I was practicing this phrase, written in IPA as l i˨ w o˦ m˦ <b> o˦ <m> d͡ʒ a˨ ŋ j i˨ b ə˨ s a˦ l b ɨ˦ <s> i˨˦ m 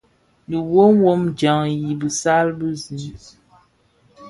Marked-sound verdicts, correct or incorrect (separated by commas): incorrect, correct, incorrect